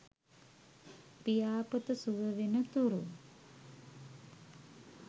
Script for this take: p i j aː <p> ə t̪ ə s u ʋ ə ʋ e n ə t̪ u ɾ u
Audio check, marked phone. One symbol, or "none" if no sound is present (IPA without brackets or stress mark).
p